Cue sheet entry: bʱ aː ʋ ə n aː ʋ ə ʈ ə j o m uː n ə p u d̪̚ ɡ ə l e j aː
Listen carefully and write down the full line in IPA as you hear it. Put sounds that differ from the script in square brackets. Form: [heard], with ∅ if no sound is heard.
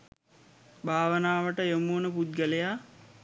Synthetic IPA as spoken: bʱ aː ʋ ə n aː ʋ ə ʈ ə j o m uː n ə p u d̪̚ ɡ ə l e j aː